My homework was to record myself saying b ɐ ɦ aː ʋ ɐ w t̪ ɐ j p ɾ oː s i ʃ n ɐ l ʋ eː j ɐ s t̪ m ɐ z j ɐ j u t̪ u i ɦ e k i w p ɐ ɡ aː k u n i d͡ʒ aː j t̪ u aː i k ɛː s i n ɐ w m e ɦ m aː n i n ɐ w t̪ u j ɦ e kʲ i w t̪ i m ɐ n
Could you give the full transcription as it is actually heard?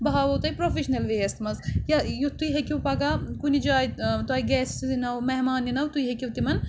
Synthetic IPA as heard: b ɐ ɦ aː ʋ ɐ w t̪ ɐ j p ɾ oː f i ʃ n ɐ l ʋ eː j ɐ s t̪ m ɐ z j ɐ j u t̪ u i ɦ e k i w p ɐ ɡ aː k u n i d͡ʒ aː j t̪ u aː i ɡ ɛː s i n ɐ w m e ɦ m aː n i n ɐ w t̪ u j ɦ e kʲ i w t̪ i m ɐ n